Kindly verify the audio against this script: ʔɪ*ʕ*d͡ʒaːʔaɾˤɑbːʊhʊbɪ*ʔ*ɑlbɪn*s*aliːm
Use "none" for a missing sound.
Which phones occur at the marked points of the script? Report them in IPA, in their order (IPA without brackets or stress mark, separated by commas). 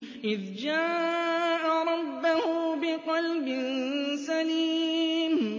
ð, q, s